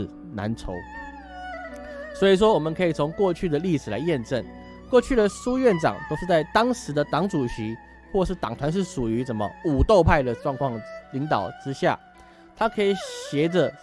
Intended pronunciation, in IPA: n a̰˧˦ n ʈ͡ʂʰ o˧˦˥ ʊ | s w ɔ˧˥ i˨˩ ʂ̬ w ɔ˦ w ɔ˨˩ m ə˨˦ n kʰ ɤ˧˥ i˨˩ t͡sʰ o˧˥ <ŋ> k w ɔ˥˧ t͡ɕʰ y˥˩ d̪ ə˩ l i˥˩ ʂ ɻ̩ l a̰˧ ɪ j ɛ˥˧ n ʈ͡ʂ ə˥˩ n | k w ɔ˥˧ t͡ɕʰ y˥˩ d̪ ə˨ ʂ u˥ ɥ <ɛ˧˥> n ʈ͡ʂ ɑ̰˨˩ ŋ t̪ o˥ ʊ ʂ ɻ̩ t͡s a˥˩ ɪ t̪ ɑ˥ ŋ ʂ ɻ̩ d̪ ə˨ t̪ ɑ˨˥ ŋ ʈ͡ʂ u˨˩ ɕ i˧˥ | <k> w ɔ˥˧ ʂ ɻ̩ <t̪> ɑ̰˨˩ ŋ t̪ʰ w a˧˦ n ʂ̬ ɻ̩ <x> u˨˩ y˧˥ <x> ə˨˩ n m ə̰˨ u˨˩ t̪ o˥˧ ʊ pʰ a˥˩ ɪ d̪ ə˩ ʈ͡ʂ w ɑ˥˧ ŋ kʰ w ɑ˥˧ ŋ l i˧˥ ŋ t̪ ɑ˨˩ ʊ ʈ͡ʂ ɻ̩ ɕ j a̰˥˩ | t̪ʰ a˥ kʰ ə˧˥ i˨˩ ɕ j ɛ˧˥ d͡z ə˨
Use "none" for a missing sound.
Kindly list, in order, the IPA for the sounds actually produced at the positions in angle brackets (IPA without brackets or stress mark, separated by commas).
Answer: ŋ, ɛ˥˩, x, t̪, ʂ, ʂ